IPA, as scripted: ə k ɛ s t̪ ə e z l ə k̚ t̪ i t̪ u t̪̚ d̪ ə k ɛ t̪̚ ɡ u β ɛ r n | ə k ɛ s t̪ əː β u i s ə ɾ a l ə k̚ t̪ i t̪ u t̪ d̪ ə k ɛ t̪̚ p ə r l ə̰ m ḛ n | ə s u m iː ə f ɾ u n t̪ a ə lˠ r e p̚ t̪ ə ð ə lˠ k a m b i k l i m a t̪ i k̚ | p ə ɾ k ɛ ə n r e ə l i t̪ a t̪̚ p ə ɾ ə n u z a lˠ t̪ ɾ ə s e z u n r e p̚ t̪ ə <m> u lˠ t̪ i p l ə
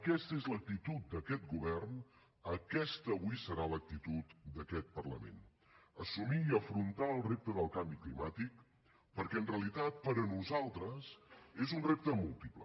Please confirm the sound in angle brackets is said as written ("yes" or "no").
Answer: yes